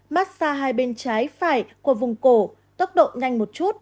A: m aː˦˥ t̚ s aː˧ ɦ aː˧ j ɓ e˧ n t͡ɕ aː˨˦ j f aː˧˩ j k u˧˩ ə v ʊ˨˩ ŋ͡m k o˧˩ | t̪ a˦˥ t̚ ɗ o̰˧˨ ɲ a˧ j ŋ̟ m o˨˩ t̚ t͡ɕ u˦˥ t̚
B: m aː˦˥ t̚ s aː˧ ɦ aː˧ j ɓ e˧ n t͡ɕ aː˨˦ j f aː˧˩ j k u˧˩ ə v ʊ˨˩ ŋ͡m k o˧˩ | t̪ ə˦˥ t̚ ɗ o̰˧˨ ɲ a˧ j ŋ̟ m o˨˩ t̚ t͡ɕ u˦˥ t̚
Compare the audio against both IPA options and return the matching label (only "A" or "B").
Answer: B